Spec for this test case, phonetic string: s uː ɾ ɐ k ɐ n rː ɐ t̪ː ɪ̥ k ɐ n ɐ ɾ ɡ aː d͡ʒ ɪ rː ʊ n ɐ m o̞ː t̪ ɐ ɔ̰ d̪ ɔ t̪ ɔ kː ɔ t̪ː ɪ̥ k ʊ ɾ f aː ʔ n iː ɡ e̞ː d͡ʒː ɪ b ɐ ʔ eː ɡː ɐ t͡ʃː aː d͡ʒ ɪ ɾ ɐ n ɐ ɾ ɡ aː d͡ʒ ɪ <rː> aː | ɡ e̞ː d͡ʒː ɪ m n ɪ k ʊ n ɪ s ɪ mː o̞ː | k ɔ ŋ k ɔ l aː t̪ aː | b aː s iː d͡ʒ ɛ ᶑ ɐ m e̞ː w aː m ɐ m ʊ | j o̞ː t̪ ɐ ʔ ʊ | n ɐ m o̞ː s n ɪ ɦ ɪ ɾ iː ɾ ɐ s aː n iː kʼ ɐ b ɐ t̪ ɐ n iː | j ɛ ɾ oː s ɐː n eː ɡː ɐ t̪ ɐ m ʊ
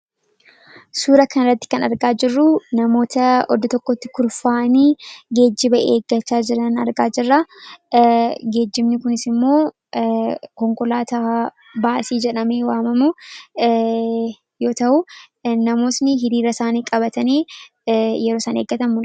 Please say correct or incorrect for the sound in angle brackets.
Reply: correct